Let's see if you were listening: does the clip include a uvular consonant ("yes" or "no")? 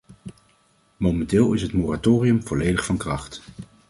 yes